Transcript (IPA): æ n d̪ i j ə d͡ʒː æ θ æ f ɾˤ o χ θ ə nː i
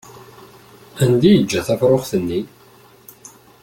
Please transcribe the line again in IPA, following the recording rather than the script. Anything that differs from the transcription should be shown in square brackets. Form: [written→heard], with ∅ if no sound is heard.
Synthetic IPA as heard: æ n d̪ i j ə d͡ʒː æ θ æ f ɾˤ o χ θ ə nː i